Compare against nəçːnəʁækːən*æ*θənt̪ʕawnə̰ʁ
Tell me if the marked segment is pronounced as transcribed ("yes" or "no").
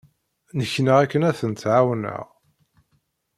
yes